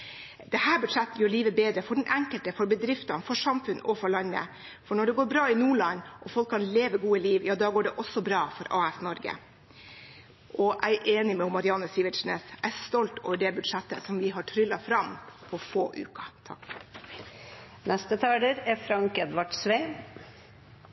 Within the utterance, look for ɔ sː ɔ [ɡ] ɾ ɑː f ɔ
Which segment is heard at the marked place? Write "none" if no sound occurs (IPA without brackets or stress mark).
b